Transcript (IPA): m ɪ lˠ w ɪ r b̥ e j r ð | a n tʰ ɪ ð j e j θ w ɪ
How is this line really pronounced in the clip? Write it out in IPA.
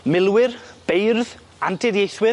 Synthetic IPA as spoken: m ɪ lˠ w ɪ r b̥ e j r ð | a n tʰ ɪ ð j e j θ w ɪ